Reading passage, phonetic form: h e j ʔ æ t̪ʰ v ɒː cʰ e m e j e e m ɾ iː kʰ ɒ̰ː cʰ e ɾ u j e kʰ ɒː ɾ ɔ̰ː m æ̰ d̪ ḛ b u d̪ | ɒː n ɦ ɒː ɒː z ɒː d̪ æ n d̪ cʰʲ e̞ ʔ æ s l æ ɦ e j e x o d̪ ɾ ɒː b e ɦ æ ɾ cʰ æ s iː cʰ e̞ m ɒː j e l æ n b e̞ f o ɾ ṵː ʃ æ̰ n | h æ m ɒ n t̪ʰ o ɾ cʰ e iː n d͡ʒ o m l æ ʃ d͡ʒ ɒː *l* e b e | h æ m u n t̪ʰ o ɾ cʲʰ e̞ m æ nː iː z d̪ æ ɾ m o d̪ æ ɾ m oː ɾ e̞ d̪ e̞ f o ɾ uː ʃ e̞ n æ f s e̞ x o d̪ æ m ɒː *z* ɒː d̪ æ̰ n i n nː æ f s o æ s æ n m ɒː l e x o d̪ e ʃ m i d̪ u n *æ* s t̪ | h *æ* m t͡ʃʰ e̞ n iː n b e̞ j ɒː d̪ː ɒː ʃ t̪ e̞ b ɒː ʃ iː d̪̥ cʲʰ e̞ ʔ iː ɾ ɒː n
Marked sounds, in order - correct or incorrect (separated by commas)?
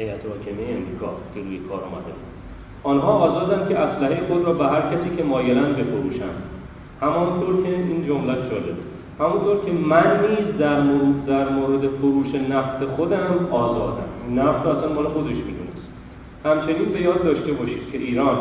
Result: correct, correct, incorrect, correct